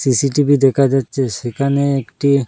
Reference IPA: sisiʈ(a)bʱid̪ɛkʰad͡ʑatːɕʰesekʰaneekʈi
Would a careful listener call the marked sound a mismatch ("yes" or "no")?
yes